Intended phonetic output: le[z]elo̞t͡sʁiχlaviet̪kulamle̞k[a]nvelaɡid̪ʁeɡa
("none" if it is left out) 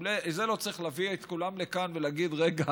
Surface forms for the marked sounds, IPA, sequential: z, a

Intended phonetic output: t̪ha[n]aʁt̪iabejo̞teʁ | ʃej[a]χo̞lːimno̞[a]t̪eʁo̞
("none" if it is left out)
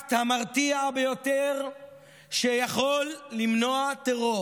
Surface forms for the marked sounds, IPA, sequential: m, a, a

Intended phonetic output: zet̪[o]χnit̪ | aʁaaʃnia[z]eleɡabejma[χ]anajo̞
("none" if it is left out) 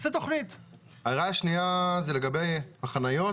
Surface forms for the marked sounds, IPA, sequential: o, z, χ

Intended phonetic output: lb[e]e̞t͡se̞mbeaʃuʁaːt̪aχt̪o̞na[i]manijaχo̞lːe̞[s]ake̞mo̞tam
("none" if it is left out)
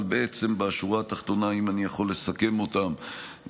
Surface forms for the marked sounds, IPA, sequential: e, i, s

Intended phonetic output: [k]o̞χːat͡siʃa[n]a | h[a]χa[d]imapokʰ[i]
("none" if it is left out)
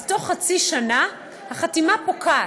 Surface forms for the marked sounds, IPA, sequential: t, n, a, t, a

